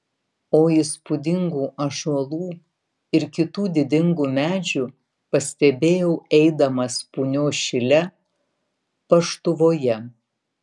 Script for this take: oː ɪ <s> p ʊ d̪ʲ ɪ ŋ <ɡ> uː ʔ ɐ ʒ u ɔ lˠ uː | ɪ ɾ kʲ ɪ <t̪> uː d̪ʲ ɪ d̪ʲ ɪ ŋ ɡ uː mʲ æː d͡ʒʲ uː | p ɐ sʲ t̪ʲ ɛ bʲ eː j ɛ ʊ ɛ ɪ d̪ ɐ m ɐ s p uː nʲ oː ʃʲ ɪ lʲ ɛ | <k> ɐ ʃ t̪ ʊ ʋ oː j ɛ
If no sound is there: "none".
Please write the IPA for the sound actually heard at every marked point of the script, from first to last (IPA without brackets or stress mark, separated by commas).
s, ɡ, t̪, p